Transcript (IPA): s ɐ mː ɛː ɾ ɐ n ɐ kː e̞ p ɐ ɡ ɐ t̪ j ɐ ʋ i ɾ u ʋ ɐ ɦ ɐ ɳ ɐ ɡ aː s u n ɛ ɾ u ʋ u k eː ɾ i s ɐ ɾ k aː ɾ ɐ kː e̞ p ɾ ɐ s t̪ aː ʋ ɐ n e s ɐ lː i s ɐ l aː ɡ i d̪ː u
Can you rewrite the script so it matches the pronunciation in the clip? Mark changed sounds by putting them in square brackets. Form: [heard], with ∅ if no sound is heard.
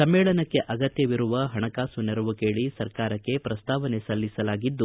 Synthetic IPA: s ɐ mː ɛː [ɭ] ɐ n ɐ kː e̞ [ʔ] ɐ ɡ ɐ t̪ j ɐ ʋ i ɾ u ʋ ɐ ɦ ɐ ɳ ɐ [k] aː s u n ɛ ɾ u ʋ u k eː [ɭ] i s ɐ ɾ k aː ɾ ɐ kː e̞ p ɾ ɐ s t̪ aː ʋ ɐ n e s ɐ lː i s ɐ l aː ɡ i d̪ː u